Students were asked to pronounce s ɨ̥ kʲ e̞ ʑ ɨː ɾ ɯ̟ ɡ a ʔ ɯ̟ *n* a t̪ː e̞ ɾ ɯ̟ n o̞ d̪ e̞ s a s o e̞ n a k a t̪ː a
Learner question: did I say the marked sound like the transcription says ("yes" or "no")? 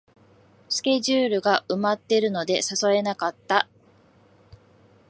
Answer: no